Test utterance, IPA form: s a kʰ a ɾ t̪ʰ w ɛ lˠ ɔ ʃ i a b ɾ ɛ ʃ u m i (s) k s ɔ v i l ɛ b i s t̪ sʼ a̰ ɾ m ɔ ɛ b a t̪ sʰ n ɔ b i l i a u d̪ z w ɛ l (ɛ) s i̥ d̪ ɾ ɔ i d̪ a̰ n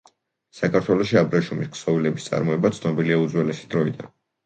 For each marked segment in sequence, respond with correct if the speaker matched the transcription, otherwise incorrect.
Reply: correct, correct

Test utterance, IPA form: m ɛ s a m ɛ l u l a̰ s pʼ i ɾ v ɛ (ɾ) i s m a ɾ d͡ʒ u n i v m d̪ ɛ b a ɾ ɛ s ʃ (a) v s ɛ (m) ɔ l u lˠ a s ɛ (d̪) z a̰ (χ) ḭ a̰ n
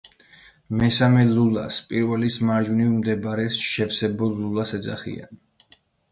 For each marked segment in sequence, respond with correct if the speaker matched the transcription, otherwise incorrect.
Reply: incorrect: l, incorrect: ɛ, incorrect: b, correct, correct

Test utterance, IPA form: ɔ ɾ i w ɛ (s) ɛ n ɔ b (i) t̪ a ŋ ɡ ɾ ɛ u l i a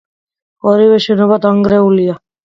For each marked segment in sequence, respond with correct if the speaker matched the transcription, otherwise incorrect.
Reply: incorrect: ʃ, incorrect: a

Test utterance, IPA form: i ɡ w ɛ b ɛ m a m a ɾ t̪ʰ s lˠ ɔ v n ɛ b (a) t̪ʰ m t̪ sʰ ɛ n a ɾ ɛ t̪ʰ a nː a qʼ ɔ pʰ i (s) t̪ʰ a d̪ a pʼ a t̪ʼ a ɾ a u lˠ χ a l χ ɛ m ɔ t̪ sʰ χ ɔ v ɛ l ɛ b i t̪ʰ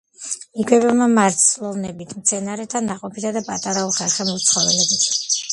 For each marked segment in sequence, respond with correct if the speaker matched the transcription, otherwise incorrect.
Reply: incorrect: i, incorrect: none

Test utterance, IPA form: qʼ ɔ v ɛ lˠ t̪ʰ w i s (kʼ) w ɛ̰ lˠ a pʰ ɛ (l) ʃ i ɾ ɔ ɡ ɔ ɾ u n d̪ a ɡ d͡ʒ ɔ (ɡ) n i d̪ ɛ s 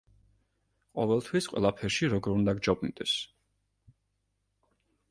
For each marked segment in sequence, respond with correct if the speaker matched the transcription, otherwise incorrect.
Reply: incorrect: qʼ, incorrect: ɾ, incorrect: b

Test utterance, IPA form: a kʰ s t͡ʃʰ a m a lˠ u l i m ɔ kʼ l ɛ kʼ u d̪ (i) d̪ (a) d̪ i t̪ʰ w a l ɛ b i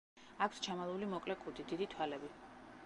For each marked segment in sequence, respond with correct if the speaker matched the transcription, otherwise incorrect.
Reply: correct, incorrect: i

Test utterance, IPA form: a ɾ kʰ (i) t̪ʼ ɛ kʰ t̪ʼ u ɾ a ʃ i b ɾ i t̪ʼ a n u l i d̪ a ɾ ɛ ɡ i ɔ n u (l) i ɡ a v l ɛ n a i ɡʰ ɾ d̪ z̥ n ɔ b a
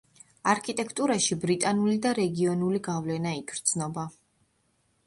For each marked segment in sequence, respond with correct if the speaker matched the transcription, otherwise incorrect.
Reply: correct, correct

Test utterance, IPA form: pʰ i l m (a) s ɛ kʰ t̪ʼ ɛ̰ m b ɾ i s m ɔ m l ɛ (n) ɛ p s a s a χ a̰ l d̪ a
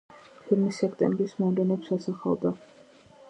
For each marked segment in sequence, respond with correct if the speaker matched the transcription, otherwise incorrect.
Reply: incorrect: i, correct

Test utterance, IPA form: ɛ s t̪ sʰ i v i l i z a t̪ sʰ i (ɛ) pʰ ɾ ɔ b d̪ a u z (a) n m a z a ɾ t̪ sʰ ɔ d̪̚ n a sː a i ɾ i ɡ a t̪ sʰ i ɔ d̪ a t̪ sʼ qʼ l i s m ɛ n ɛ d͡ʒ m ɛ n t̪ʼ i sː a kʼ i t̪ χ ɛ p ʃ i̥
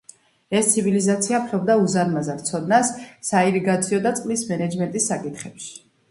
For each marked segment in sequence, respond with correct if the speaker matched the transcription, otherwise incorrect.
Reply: incorrect: a, correct

